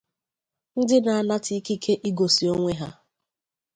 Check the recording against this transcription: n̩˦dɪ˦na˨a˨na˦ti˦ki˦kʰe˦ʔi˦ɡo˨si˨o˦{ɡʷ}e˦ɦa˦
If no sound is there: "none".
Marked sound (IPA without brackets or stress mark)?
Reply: ŋʷ